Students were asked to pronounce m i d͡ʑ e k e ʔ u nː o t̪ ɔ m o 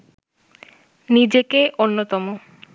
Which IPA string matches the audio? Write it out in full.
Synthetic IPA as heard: n i d͡ʑ e k e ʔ o nː o t̪ ɔ m o